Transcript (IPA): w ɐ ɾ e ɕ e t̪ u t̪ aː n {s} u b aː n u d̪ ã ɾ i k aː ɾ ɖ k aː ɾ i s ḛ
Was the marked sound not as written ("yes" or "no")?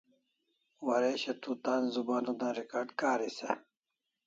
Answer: yes